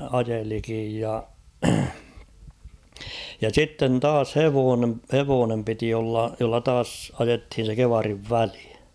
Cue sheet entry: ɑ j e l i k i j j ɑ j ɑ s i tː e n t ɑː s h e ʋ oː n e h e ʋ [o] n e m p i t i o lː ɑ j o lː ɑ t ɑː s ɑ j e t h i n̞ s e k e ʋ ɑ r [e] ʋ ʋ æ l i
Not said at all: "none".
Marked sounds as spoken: oː, i

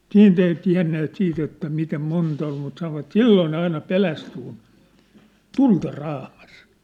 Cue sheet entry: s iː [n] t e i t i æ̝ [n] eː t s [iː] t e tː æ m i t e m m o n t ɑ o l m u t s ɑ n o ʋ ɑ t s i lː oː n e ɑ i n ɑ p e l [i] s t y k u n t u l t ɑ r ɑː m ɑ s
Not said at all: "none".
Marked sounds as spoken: n, nː, iː, æ

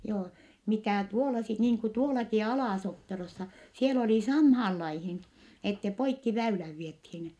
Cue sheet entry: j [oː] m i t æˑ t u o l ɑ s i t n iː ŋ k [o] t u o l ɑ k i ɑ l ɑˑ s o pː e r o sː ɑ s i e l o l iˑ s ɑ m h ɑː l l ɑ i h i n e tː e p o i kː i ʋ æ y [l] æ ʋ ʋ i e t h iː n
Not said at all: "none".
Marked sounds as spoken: oː, u, l

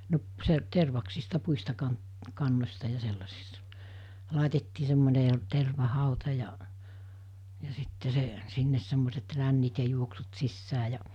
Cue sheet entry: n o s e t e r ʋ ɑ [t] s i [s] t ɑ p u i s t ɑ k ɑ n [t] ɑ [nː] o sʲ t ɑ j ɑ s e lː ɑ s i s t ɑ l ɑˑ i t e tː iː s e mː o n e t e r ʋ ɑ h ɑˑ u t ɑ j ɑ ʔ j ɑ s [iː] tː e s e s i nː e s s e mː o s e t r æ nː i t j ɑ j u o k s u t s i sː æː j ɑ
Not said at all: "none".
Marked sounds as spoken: k, s, k, nː, i

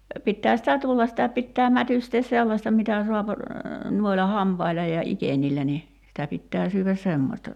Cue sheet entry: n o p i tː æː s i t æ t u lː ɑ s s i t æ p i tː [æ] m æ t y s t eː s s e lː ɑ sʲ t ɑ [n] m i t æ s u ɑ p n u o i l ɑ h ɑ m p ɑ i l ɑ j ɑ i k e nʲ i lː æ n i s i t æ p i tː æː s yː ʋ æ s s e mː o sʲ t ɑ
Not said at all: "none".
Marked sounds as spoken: æː, none

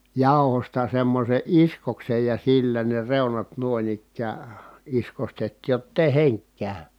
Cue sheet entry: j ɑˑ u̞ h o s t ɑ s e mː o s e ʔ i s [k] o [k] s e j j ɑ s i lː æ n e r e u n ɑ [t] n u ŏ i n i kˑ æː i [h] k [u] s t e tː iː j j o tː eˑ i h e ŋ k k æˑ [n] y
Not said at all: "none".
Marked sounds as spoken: k, k, t, s, o, none

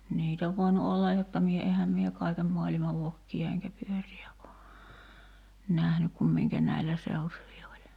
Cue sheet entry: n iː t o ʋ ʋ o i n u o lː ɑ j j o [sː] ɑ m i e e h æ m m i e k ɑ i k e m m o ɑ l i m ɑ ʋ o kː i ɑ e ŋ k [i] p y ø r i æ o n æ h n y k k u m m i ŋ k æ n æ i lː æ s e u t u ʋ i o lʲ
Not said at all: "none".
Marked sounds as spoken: tː, æ

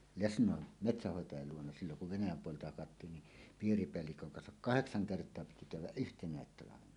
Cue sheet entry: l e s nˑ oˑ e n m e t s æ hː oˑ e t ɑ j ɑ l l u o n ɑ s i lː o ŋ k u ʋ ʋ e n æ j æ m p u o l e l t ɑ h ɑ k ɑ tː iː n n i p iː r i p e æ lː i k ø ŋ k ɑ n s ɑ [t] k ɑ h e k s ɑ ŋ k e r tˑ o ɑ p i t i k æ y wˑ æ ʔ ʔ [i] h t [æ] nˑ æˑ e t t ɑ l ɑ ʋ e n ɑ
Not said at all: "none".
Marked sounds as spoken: k, y, e

